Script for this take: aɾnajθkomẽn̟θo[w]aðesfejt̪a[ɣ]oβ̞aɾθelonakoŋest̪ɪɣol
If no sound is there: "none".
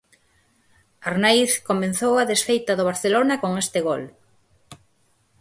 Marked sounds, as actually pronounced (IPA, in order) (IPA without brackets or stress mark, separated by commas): w, ð